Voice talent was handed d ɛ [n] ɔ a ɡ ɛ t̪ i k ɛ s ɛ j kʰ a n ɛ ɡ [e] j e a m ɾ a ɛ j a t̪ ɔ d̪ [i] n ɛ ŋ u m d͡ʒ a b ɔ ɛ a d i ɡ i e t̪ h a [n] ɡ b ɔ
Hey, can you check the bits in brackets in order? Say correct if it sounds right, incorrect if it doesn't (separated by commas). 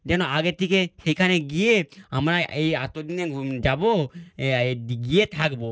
correct, incorrect, correct, incorrect